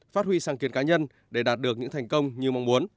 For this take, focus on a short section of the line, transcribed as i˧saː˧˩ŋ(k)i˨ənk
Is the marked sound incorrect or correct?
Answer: correct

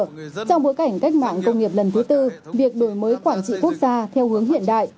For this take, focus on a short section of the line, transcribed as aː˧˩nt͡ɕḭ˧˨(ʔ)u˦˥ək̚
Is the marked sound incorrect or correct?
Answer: incorrect: k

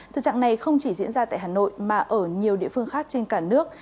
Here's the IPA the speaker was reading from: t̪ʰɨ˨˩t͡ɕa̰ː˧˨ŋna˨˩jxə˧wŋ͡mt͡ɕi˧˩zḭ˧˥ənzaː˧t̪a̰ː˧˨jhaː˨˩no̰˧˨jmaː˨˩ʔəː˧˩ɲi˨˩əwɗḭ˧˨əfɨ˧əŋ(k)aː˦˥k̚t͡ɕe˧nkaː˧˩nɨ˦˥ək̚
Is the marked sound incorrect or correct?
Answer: incorrect: x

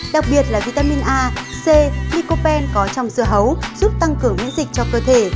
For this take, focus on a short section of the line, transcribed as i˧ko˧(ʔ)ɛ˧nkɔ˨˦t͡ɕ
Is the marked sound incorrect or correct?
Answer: incorrect: p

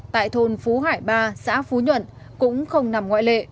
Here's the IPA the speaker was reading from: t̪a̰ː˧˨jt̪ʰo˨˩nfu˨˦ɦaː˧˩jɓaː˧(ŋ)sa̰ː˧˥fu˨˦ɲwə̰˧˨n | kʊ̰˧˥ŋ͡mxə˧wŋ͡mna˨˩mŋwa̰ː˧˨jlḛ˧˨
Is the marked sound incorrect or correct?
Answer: incorrect: none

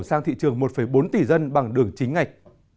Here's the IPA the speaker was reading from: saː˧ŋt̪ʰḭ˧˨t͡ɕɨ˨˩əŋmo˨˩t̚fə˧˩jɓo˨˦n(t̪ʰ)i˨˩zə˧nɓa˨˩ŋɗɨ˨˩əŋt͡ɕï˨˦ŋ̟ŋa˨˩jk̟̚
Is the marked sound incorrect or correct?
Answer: incorrect: t̪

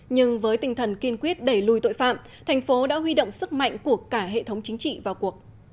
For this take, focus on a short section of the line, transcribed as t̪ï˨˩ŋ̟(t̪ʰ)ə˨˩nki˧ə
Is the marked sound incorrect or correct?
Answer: correct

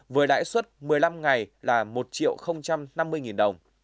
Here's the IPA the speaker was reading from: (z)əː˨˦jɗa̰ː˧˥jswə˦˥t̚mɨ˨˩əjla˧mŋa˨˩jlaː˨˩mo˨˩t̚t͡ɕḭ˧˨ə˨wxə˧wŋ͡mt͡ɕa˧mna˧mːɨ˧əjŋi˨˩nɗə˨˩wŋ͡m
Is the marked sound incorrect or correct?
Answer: incorrect: v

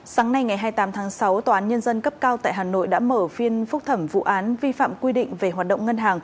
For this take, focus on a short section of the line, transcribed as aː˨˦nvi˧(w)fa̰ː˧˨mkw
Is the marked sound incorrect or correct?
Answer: incorrect: none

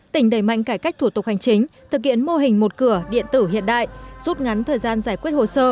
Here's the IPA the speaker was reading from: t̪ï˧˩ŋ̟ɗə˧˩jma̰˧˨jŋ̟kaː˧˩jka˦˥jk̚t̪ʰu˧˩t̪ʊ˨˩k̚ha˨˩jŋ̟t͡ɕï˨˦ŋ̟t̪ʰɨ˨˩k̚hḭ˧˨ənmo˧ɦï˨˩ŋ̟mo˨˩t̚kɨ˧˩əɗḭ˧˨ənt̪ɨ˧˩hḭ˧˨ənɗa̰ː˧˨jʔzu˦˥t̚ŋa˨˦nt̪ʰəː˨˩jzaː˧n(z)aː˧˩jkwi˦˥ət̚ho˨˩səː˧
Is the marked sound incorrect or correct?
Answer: correct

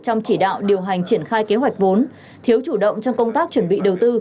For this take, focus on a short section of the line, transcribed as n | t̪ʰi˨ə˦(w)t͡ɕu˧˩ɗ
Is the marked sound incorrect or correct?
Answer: correct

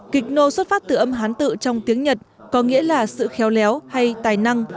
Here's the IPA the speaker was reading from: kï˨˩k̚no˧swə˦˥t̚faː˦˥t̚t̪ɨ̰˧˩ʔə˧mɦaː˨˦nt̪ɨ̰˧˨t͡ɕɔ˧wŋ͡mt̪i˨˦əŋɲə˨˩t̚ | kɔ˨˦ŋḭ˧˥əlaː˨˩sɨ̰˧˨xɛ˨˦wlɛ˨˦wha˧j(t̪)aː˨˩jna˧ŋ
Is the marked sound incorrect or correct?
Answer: correct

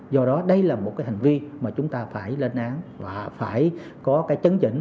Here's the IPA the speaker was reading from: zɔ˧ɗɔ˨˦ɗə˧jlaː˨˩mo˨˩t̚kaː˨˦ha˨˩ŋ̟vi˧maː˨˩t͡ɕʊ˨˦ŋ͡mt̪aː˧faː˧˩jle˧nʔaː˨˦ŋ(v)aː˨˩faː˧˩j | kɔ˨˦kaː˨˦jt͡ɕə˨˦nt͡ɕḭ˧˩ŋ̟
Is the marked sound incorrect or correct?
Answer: correct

